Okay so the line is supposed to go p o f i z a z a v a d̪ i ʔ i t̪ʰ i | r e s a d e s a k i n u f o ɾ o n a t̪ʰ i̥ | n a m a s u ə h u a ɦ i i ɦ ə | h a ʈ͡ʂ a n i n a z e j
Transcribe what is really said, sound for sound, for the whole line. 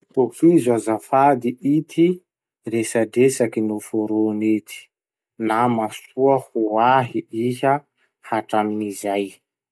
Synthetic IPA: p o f i z a z a f a d̪ i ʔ i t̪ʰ i | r e s a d e s a k i n u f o ɾ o n e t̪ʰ i̥ | n a m a s u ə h u a ɦ i i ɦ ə | h a ʈ͡ʂ a m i n i z a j